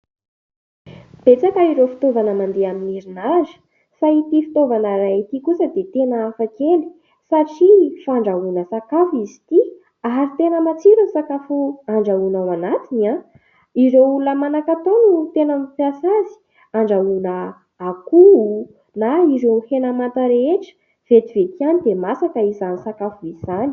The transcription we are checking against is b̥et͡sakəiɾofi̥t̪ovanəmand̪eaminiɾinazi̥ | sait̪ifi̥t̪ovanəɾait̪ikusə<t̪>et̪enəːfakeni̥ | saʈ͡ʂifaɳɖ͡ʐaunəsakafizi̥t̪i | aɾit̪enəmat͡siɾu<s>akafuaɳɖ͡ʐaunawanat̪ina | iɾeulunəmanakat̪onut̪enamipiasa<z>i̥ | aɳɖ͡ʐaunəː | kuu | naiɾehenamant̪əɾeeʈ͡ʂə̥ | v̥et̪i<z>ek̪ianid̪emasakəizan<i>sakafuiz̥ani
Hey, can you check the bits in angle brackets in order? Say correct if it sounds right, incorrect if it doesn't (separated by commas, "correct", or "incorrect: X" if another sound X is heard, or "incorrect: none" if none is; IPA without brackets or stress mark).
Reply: incorrect: d̪, correct, correct, incorrect: v, correct